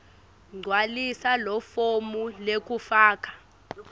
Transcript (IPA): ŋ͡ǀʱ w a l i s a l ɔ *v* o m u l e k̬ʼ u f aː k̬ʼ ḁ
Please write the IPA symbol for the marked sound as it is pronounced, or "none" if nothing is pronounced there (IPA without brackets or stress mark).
f